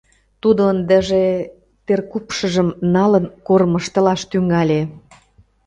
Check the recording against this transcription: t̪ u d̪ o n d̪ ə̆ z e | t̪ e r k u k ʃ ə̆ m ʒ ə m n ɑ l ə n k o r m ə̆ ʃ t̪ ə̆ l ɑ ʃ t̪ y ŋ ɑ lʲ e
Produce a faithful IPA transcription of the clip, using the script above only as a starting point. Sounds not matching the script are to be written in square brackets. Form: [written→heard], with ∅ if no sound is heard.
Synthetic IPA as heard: t̪ u d̪ o n d̪ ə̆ [z→ʒ] e | t̪ e r k u [k→p] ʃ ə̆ [m→∅] ʒ ə m n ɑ l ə n k o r m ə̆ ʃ t̪ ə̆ l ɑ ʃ t̪ y ŋ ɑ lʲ e